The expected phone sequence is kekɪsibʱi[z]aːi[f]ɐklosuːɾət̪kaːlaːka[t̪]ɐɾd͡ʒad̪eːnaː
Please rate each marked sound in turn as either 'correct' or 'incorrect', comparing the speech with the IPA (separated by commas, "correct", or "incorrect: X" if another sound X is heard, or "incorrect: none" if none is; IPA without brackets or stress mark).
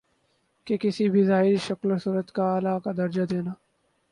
correct, incorrect: ʃ, incorrect: d̪